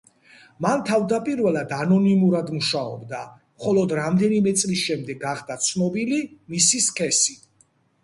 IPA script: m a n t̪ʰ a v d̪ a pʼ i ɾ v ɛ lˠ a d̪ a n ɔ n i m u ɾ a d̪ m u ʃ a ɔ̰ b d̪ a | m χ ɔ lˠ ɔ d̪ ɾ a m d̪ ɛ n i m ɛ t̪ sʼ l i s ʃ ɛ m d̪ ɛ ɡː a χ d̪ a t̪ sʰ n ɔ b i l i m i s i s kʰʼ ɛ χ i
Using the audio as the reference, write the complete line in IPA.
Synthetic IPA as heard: m a n t̪ʰ a v d̪ a pʼ i ɾ v ɛ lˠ a d̪ a n ɔ n i m u ɾ a d̪ m u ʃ a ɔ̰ b d̪ a | m χ ɔ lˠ ɔ d̪ ɾ a m d̪ ɛ n i m ɛ t̪ sʼ l i s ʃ ɛ m d̪ ɛ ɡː a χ d̪ a t̪ sʰ n ɔ b i l i m i s i s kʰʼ ɛ s i

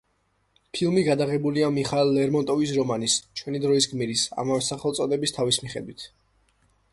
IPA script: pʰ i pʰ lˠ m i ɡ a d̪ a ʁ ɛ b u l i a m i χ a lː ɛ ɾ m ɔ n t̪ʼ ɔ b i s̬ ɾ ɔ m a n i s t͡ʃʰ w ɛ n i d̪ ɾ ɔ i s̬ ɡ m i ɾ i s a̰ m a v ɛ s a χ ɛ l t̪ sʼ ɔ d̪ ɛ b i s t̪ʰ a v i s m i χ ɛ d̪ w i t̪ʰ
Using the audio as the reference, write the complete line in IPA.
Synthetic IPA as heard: pʰ i lˠ m i ɡ a d̪ a ʁ ɛ b u l i a m i χ a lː ɛ ɾ m ɔ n t̪ʼ ɔ v i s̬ ɾ ɔ m a n i s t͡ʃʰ w ɛ n i d̪ ɾ ɔ i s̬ ɡ m i ɾ i s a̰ m a v ɛ s a χ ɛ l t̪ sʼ ɔ d̪ ɛ b i s t̪ʰ a v i s m i χ ɛ d̪ w i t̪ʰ

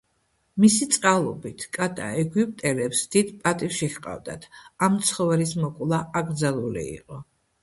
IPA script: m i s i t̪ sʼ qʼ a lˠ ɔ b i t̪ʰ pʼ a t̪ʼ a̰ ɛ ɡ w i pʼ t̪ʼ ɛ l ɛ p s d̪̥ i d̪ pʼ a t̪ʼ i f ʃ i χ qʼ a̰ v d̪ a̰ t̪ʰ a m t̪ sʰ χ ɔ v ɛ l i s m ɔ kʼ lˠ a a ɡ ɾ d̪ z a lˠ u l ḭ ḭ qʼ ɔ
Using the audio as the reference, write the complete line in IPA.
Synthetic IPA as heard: m i s i t̪ sʼ qʼ a lˠ ɔ b i t̪ʰ kʼ a t̪ʼ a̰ ɛ ɡ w i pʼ t̪ʼ ɛ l ɛ p s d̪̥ i d̪ pʼ a t̪ʼ i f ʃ i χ qʼ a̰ v d̪ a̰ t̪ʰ a m t̪ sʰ χ ɔ v ɛ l i s m ɔ kʼ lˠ a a ɡ ɾ d̪ z a lˠ u l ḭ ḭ qʼ ɔ

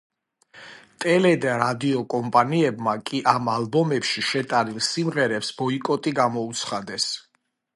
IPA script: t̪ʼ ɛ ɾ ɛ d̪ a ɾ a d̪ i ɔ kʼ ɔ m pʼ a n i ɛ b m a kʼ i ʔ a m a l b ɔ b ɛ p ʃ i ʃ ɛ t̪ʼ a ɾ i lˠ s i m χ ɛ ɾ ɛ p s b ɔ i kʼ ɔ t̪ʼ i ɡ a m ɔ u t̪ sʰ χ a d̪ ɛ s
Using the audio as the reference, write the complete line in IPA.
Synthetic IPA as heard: t̪ʼ ɛ l ɛ d̪ a ɾ a d̪ i ɔ kʼ ɔ m pʼ a n i ɛ b m a kʼ i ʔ a m a l b ɔ m ɛ p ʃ i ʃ ɛ t̪ʼ a ɾ i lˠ s i m ʁ ɛ ɾ ɛ p s b ɔ i kʼ ɔ t̪ʼ i ɡ a m ɔ u t̪ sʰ χ a d̪ ɛ s

